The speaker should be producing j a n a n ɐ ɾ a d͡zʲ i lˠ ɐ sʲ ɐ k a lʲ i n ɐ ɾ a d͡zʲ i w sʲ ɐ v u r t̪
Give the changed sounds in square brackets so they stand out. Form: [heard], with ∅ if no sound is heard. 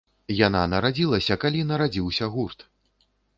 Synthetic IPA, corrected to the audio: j a n a n ɐ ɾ a d͡zʲ i lˠ ɐ sʲ ɐ k a lʲ i n ɐ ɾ a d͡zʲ i w sʲ ɐ [ɣ] u r t̪